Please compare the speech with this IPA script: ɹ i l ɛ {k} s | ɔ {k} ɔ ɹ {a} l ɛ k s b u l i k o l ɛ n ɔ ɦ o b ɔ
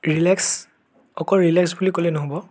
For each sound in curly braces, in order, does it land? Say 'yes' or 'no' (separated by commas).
yes, yes, no